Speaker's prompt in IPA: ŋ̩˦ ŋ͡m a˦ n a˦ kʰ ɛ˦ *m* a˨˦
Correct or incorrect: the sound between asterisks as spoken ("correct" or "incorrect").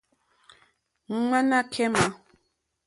correct